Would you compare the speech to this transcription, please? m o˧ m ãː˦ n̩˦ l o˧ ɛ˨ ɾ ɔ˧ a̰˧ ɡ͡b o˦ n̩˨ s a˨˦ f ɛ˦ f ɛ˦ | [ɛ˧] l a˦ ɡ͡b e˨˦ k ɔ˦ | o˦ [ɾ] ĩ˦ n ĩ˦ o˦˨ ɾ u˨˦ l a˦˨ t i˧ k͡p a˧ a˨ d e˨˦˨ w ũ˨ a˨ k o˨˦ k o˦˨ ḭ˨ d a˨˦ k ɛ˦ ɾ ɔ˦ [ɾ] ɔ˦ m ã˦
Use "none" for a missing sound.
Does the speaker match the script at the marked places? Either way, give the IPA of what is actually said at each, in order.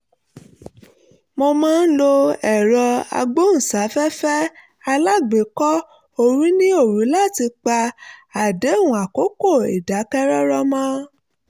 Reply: a˧, ɾ, ɾ

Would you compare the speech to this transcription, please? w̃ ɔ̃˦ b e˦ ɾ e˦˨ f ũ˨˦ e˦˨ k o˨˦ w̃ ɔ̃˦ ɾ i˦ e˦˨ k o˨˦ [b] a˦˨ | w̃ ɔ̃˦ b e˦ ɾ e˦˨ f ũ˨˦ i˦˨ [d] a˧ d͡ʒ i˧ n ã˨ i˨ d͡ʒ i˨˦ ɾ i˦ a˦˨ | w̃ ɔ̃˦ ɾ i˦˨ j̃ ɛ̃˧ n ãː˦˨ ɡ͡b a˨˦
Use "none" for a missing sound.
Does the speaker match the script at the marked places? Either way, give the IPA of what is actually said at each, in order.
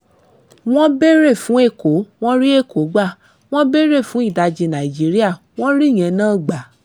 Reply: ɡ͡b, d

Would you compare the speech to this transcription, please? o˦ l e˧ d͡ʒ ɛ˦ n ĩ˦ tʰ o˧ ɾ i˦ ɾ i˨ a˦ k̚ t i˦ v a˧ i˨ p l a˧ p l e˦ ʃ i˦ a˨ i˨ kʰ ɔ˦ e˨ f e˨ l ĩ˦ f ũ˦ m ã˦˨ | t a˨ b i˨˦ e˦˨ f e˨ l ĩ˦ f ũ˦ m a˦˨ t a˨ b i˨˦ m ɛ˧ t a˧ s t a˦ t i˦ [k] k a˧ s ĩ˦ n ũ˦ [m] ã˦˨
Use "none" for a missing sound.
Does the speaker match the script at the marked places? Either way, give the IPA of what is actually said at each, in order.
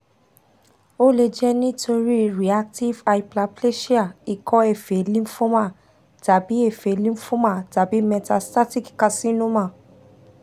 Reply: k, m

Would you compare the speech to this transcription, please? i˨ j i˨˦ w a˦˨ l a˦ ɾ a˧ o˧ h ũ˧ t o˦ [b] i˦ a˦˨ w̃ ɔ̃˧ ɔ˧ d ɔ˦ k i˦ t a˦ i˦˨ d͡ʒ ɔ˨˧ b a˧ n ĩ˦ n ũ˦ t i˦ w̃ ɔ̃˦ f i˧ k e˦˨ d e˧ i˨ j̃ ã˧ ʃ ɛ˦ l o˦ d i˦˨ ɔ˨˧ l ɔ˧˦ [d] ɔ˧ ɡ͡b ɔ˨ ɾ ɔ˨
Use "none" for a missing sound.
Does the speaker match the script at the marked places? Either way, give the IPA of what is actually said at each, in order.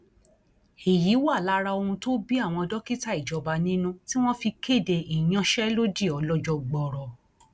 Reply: b, d͡ʒ

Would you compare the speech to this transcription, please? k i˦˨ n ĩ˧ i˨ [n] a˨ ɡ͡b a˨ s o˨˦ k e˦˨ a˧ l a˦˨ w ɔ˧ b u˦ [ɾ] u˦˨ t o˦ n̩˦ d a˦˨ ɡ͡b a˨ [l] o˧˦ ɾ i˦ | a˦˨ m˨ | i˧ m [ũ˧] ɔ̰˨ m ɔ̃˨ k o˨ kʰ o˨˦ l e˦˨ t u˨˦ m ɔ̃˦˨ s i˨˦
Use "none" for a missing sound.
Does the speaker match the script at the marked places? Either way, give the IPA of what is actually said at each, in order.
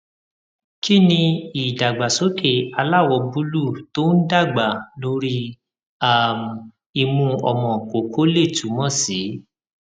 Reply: d, l, l, ũ˧

